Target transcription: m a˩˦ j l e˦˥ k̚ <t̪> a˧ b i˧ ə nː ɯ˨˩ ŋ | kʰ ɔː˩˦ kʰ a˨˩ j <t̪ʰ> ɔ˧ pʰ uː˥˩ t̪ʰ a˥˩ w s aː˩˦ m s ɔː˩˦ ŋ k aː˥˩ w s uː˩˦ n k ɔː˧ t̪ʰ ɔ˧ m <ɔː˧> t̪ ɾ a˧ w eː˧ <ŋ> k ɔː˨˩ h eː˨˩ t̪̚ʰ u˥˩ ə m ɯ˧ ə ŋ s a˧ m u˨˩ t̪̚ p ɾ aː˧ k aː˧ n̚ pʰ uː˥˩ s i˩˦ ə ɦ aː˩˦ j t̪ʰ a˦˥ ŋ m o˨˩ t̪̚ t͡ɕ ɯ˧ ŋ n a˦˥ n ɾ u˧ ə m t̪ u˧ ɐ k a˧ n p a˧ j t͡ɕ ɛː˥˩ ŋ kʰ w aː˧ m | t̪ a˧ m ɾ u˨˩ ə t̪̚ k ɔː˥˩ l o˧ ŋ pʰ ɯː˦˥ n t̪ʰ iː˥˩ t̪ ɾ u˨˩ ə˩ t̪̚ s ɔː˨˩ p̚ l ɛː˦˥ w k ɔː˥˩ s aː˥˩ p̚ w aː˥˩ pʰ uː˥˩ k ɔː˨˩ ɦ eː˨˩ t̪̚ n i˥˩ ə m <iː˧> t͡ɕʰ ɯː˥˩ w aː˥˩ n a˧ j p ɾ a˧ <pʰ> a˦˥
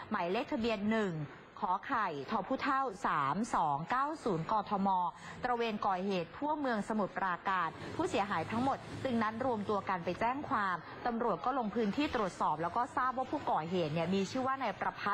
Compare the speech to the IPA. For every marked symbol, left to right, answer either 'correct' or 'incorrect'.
incorrect: t̪ʰ, correct, correct, incorrect: n, correct, correct

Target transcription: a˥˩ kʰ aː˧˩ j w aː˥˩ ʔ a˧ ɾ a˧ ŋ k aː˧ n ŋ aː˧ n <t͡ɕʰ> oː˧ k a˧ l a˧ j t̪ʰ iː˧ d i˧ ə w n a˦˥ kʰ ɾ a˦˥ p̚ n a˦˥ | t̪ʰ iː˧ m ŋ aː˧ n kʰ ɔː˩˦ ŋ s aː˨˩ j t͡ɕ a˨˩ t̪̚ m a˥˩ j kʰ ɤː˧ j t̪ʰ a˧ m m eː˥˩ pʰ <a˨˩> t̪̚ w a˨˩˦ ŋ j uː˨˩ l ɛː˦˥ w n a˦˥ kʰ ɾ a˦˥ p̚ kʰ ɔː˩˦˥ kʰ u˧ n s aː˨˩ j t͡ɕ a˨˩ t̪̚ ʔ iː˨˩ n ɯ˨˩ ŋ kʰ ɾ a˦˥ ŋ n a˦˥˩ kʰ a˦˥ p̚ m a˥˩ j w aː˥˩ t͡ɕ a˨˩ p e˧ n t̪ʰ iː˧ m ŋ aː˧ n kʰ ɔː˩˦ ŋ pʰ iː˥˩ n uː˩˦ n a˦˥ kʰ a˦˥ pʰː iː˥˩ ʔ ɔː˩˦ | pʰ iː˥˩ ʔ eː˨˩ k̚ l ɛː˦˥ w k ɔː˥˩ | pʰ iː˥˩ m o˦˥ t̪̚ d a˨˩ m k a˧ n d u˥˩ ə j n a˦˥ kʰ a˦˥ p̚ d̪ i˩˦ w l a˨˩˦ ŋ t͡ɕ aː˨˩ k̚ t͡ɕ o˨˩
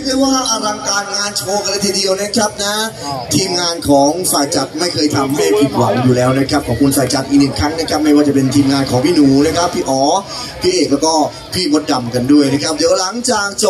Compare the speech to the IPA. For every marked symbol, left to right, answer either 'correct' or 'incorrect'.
correct, incorrect: i˨˩

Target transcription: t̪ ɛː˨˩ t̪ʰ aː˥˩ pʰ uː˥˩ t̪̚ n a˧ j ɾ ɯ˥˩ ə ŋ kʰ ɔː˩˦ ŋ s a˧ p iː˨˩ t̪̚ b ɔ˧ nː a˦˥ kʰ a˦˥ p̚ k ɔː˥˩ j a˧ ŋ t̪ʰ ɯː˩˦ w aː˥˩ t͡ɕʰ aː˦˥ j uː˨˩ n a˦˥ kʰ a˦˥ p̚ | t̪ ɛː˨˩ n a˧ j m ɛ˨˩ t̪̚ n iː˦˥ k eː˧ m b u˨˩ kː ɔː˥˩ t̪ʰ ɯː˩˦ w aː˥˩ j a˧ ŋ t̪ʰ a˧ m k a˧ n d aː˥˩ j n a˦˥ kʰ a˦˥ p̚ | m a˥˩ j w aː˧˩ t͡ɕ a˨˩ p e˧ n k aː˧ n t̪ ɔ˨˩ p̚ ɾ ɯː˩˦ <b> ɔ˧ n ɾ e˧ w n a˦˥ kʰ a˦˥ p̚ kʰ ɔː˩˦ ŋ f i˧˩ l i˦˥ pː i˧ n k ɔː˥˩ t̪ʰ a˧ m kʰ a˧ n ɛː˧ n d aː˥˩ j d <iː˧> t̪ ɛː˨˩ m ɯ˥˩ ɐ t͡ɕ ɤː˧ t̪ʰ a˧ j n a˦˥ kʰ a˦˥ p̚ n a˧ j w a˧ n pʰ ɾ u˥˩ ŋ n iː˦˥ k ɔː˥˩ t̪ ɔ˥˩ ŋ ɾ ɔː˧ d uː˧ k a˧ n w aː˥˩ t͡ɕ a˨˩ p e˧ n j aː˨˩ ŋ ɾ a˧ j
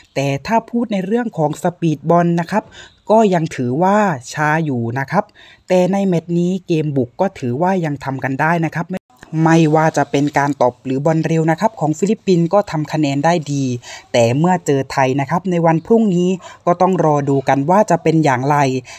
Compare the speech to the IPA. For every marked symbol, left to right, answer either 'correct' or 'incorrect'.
correct, correct

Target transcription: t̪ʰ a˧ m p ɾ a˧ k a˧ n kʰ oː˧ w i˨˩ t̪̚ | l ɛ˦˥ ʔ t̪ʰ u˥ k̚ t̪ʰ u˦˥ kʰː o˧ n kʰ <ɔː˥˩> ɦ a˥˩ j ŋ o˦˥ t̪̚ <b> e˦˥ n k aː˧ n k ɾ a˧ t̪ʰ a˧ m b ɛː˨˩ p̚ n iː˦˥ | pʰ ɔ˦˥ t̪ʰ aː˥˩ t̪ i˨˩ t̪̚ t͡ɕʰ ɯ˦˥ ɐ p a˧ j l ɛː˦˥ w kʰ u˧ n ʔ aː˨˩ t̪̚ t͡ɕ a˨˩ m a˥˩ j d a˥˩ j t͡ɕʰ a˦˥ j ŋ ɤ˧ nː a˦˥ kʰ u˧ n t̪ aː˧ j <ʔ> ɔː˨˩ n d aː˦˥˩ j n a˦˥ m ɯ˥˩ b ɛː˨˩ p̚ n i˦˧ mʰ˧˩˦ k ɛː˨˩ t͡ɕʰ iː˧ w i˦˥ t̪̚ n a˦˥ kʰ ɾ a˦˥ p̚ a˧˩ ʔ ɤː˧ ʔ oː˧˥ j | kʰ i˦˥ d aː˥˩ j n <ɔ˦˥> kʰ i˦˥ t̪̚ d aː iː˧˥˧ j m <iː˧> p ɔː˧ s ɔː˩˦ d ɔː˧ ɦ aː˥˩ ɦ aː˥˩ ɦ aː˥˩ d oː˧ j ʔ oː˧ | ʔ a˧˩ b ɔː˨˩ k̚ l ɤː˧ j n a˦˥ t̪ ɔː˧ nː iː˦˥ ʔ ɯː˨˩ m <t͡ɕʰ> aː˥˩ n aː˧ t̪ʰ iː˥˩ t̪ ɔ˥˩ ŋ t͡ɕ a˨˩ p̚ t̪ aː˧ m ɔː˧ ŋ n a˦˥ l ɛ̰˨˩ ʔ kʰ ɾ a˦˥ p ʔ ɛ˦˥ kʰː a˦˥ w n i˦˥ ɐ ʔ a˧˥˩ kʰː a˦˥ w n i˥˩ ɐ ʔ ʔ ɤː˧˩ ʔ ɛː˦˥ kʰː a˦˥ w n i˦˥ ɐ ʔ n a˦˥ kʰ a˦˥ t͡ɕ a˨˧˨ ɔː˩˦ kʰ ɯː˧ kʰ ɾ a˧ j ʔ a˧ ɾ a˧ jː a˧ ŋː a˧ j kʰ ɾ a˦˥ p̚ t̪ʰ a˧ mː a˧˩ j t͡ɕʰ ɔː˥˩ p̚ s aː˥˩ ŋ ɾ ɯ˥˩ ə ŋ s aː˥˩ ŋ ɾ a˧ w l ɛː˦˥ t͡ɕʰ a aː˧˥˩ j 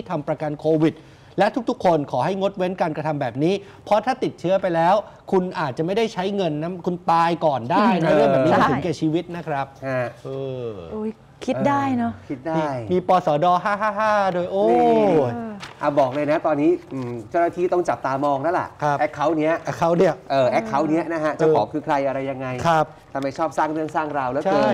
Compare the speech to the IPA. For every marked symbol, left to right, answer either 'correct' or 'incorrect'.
incorrect: ɔː˩˦, incorrect: w, incorrect: k, correct, correct, incorrect: t͡ɕ

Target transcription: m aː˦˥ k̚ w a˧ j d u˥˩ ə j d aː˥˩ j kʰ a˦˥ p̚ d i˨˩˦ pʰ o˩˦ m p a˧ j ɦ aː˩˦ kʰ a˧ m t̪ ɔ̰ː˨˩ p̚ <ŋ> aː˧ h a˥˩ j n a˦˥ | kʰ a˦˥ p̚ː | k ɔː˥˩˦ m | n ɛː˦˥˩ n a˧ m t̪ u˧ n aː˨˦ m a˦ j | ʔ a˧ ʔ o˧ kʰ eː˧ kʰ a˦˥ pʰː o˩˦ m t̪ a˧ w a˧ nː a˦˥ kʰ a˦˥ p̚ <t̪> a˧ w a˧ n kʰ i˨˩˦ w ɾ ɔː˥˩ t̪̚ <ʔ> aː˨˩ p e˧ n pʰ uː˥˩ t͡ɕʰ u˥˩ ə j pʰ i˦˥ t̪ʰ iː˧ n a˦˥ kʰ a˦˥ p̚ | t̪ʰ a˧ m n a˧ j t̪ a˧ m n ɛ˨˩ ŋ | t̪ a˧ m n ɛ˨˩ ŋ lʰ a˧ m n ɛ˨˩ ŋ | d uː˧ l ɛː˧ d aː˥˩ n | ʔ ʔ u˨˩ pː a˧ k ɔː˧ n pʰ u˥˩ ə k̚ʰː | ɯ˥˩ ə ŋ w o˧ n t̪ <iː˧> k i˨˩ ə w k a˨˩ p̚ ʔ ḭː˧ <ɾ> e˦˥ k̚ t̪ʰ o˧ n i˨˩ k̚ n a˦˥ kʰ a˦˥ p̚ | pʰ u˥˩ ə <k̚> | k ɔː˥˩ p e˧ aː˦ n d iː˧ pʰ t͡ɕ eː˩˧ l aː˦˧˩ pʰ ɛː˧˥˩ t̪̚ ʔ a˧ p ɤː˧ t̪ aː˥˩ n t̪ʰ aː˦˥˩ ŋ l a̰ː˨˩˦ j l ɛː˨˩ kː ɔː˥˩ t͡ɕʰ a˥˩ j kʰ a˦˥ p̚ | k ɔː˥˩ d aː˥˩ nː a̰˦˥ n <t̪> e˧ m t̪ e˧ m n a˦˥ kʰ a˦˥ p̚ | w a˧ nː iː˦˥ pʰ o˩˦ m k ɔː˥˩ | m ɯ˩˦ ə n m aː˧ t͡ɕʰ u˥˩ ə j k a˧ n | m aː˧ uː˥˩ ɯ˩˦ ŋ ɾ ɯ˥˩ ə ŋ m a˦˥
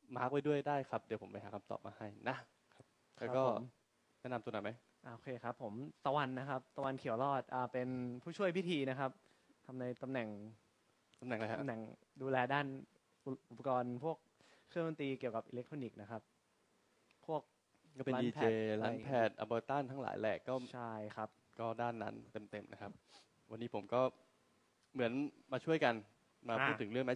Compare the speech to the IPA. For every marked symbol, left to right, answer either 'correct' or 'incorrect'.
incorrect: m, correct, correct, correct, incorrect: l, correct, correct

